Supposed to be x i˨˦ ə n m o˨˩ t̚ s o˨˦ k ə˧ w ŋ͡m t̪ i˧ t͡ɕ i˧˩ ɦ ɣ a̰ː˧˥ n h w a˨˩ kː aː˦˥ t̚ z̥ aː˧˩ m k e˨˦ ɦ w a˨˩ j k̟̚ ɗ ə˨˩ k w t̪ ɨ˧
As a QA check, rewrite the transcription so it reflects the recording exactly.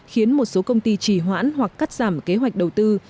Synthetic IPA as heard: x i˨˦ ə n m o˨˩ t̚ s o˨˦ k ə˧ w ŋ͡m t̪ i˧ t͡ɕ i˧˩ ɦ w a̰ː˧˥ n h w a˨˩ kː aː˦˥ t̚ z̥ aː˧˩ m k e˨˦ ɦ w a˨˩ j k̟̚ ɗ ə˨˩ w t̪ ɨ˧